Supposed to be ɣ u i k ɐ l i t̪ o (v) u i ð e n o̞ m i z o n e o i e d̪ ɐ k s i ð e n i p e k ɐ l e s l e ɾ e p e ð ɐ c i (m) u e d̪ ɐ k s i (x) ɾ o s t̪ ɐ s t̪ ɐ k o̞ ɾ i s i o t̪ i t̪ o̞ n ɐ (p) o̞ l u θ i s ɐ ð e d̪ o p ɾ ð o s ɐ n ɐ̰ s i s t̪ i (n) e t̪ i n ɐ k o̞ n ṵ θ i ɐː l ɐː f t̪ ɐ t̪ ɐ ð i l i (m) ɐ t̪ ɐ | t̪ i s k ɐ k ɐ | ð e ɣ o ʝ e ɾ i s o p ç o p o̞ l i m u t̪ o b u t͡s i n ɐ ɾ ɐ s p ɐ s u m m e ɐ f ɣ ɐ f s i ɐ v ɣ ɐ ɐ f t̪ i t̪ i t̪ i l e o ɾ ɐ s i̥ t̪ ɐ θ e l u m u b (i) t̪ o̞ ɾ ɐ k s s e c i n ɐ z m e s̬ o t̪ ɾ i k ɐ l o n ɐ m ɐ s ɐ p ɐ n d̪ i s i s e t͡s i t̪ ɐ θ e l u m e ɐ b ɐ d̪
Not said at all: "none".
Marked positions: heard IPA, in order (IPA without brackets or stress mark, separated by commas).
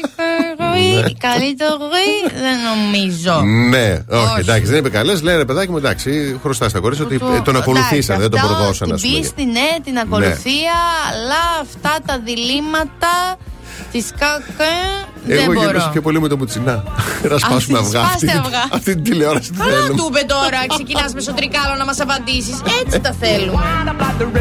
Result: ɣ, m, x, k, n, m, e